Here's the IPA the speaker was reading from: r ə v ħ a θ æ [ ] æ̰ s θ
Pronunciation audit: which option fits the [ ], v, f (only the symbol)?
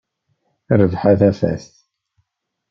f